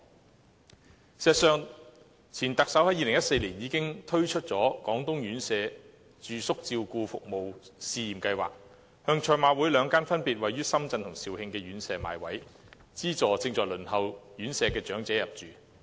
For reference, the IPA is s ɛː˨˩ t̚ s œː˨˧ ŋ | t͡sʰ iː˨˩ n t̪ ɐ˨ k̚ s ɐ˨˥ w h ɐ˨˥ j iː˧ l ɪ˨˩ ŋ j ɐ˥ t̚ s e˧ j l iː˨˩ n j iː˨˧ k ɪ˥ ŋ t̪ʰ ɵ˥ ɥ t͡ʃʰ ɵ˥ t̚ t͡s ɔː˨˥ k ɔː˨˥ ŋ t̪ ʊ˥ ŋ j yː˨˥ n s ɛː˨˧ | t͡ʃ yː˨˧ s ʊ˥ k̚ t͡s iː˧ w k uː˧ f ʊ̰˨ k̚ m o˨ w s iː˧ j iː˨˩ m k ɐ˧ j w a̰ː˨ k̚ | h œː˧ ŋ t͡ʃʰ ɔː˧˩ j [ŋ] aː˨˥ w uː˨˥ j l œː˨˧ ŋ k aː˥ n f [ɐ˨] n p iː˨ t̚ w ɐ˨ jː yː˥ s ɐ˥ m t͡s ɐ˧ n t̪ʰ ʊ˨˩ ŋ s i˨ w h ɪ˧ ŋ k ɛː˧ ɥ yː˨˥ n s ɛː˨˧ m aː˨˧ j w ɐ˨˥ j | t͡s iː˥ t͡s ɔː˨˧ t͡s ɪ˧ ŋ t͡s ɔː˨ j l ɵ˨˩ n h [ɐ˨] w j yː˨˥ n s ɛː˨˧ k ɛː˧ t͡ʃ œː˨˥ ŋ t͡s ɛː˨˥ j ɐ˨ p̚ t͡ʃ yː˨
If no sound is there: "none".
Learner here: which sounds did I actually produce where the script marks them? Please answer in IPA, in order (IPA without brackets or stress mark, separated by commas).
m, ɐ˥, ɐ˨